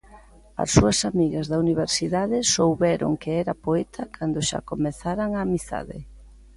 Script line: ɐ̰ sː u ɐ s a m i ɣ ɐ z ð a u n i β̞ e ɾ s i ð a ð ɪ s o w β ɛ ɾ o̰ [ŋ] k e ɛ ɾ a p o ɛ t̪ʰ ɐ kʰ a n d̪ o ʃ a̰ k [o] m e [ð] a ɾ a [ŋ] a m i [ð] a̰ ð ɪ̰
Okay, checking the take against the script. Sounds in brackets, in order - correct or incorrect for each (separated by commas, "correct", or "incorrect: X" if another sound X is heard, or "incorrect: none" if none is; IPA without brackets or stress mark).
correct, correct, incorrect: θ, correct, incorrect: θ